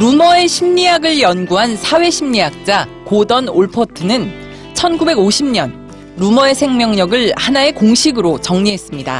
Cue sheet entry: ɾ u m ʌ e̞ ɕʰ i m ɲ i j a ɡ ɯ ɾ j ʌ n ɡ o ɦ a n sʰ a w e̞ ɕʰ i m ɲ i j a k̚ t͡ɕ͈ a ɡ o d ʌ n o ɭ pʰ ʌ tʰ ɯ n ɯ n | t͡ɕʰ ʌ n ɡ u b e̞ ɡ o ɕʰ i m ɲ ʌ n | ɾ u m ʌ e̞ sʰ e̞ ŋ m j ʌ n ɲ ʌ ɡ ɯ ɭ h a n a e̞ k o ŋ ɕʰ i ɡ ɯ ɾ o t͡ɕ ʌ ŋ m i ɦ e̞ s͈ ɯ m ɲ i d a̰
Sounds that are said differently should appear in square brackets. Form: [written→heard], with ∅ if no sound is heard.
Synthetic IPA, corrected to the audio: ɾ u m ʌ e̞ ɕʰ i m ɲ i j a ɡ ɯ [ɾ→ɭ] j ʌ n ɡ [o→u] ɦ a n sʰ a w e̞ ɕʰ i m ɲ i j a k̚ t͡ɕ͈ a [ɡ→k] o d ʌ n o ɭ pʰ ʌ tʰ ɯ n ɯ n | t͡ɕʰ ʌ n ɡ u b e̞ ɡ o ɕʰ i m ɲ ʌ n | ɾ u m ʌ e̞ sʰ e̞ ŋ m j ʌ [n→ŋ] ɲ ʌ ɡ ɯ ɭ h a n a e̞ k o ŋ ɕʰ i ɡ ɯ ɾ o t͡ɕ ʌ ŋ [m→ɲ] i ɦ e̞ s͈ ɯ m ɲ i d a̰